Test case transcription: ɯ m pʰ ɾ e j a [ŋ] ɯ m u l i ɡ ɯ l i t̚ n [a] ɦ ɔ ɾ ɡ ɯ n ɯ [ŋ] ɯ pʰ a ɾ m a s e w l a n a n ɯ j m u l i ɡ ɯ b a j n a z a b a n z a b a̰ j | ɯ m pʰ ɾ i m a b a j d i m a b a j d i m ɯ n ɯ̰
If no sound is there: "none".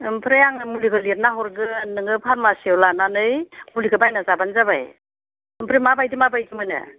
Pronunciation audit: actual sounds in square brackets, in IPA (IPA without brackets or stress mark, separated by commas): ŋ, a, ŋ